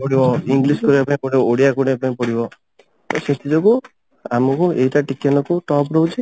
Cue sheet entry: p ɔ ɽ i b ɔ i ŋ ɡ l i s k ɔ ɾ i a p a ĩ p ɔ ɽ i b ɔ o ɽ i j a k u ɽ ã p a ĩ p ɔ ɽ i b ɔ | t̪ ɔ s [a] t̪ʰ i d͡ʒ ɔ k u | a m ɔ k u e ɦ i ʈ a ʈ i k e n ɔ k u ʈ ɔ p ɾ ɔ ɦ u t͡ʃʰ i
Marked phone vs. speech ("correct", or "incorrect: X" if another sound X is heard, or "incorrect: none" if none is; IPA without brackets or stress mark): incorrect: e